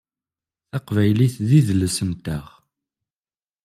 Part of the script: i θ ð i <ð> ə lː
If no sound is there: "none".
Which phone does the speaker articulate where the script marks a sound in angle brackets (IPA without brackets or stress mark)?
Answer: ð